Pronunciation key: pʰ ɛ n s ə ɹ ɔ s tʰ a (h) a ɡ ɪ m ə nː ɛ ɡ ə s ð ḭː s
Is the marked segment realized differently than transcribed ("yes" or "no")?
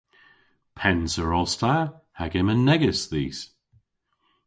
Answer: no